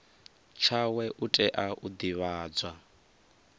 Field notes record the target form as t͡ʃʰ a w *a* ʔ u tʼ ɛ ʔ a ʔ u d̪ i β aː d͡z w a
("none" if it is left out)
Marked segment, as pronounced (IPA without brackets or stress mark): ɛ